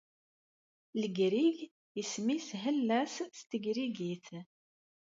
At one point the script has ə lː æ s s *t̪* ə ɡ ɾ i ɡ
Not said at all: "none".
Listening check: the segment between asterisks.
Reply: t̪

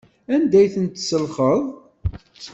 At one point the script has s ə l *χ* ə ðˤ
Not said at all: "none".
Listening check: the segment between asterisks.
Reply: χ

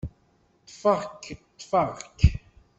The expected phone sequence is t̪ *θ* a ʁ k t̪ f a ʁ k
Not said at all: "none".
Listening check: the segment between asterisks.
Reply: f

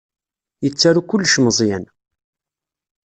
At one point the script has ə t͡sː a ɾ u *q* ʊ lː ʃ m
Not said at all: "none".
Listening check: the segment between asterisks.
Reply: k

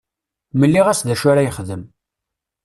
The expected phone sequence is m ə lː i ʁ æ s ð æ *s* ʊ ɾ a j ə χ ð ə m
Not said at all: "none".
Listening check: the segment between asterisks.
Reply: ʃ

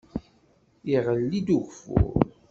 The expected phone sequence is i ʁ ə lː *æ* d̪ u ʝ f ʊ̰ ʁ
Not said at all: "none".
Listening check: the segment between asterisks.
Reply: i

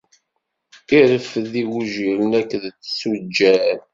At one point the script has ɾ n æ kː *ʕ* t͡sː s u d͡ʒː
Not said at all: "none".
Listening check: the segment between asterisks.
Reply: ð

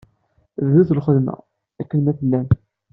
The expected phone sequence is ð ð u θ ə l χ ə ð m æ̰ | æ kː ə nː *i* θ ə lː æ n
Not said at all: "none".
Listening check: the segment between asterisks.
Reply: æ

